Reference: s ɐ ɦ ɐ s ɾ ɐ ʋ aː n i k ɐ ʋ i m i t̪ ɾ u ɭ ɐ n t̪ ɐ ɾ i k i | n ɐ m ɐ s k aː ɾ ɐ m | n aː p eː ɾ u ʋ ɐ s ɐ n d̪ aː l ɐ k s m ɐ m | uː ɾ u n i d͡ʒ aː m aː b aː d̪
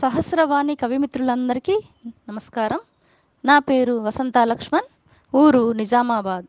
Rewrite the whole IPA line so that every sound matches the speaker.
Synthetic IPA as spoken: s ɐ ɦ ɐ s ɾ ɐ ʋ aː n i k ɐ ʋ i m i t̪ ɾ u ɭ ɐ n d̪ ɐ ɾ i k i | n ɐ m ɐ s k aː ɾ ɐ m | n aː p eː ɾ u ʋ ɐ s ɐ n t̪ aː l ɐ k ʂ m ɐ n | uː ɾ u n i d͡ʒ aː m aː b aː d̪